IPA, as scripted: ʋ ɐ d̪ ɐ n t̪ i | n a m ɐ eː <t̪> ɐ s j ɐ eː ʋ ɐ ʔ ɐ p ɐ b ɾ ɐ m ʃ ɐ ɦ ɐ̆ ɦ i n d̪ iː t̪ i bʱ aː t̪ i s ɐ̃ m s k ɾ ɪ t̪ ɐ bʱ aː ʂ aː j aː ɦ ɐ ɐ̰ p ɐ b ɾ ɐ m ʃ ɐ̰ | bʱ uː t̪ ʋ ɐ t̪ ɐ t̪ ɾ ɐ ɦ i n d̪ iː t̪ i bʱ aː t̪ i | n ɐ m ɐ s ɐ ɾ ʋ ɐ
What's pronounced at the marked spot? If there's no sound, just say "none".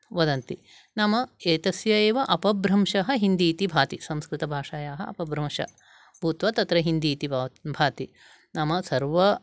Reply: t̪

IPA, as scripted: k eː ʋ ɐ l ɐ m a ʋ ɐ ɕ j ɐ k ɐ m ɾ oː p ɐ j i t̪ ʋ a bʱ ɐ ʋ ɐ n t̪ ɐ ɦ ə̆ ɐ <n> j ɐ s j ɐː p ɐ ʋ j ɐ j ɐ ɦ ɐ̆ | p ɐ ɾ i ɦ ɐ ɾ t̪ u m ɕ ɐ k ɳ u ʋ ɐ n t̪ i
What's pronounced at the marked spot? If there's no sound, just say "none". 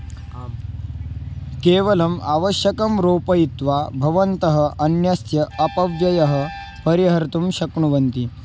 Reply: n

